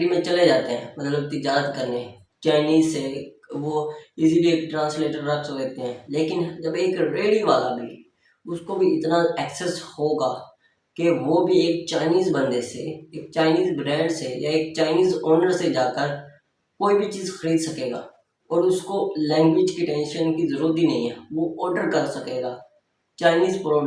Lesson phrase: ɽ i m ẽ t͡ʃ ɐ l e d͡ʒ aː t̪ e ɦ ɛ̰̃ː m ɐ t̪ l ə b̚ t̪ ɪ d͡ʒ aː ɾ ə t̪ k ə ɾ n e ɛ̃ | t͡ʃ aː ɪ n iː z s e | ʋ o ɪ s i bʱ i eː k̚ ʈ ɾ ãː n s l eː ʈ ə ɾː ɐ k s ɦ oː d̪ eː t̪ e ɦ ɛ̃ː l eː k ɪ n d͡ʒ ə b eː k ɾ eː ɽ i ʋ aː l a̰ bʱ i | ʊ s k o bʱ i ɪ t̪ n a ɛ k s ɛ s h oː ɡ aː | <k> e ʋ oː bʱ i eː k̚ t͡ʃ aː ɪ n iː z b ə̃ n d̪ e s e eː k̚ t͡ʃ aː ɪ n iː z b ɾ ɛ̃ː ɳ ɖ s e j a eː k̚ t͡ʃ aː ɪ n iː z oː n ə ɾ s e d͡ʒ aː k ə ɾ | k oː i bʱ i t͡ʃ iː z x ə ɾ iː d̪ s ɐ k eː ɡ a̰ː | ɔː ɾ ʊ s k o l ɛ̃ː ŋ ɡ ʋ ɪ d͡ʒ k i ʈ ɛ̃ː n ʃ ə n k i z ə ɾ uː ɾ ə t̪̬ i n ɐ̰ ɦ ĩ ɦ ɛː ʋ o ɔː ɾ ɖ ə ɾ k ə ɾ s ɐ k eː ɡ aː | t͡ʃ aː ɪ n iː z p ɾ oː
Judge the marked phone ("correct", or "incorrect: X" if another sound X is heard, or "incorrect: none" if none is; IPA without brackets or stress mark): correct